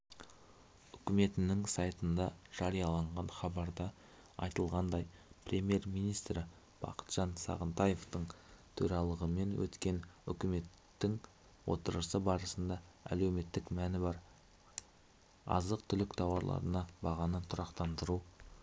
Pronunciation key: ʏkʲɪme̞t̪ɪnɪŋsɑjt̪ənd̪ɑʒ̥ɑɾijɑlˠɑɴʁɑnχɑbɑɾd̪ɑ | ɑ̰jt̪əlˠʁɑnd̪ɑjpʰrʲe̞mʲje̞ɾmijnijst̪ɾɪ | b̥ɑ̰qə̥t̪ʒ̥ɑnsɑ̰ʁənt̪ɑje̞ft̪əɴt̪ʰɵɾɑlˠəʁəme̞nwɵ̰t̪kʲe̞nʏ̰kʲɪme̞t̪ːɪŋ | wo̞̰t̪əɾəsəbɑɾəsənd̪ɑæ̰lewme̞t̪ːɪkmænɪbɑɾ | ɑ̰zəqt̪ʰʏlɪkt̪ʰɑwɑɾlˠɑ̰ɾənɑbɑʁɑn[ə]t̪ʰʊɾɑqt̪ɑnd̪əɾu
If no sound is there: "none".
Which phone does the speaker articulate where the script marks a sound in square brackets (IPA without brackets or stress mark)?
ə